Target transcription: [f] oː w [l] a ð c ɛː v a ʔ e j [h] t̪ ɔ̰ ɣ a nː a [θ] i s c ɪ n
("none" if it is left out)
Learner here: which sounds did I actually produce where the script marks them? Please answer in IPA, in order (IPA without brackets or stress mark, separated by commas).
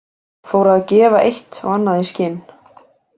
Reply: f, ɾ, h, ð